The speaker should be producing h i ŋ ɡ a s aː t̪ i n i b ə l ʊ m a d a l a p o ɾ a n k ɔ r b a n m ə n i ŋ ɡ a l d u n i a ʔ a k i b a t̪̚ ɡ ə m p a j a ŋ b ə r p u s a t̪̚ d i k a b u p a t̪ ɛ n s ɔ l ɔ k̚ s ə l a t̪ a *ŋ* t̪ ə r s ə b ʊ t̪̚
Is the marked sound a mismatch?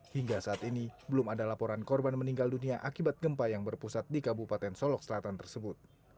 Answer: yes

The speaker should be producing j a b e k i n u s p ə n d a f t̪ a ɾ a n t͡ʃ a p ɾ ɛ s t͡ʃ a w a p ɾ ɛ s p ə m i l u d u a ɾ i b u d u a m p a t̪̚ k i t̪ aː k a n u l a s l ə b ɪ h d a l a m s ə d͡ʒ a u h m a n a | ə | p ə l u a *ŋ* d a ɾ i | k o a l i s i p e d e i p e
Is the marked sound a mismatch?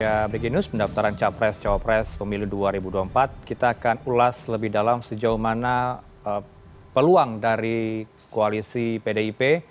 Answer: no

